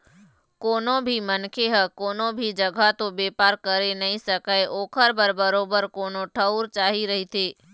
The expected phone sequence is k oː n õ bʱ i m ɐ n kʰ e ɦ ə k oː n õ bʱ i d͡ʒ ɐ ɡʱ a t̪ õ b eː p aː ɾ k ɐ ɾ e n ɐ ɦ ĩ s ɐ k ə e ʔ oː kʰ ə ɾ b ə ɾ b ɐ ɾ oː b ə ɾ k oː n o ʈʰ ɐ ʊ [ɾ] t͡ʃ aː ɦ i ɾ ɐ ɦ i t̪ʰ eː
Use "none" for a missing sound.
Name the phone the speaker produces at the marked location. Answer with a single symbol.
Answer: ɾ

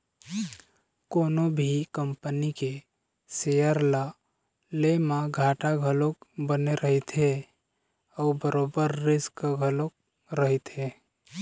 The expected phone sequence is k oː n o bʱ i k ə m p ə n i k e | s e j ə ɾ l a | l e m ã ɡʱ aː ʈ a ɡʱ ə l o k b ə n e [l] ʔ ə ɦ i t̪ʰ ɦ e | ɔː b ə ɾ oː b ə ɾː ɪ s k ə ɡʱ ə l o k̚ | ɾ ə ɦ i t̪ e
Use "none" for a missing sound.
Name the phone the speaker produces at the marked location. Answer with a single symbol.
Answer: ɾ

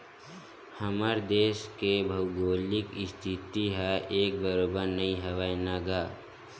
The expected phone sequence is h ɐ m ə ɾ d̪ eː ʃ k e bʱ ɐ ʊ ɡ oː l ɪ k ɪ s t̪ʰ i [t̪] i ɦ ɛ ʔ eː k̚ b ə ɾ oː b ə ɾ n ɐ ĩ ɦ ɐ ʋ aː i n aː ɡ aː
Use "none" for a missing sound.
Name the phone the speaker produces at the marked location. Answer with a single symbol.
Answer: t̪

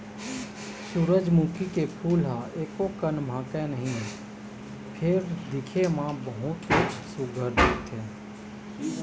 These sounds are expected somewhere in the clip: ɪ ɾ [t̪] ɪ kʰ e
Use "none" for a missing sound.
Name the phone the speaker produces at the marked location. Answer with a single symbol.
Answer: d̪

